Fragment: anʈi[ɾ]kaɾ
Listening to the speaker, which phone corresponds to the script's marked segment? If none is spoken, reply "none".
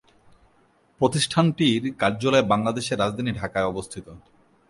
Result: ɾ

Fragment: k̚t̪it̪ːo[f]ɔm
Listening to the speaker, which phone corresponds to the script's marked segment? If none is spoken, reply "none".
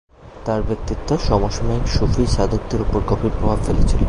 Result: ʃ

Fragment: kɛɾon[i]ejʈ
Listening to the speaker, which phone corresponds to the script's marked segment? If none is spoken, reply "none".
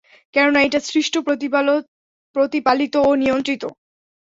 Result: a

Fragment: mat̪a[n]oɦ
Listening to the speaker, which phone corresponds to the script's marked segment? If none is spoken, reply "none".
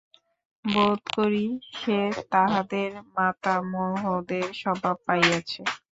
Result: m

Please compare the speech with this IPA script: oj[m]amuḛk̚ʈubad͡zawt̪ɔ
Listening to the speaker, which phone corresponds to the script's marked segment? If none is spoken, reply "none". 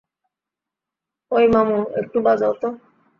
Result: m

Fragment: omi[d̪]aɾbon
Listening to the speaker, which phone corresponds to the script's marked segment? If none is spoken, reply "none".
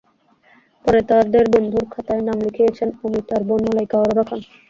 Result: t̪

